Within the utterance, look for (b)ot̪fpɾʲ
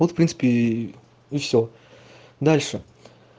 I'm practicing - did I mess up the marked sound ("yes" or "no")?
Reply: yes